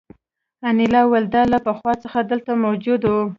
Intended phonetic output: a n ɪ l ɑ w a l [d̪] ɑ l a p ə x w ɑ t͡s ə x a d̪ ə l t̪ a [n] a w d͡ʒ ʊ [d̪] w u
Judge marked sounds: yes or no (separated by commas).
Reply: yes, no, yes